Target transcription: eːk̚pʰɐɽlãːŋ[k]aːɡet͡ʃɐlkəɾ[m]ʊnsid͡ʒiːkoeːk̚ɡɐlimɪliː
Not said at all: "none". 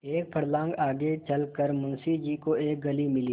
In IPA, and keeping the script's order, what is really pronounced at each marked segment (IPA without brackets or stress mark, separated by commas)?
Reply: ɡ, m